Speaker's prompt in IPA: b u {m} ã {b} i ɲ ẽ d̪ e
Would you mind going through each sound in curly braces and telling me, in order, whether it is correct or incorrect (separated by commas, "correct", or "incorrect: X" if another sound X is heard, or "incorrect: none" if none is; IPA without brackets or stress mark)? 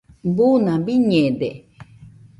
incorrect: n, correct